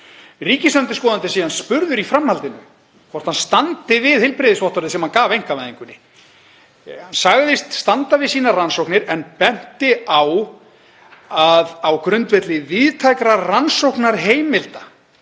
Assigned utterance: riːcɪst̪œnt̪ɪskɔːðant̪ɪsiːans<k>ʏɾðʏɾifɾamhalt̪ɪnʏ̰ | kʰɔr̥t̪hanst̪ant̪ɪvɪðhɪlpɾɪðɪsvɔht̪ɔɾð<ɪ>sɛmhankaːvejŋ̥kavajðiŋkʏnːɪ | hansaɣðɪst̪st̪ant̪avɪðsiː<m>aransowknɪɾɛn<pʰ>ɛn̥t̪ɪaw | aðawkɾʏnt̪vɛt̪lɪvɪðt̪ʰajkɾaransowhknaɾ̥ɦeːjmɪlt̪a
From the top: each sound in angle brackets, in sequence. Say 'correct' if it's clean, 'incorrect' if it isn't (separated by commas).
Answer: incorrect, correct, incorrect, incorrect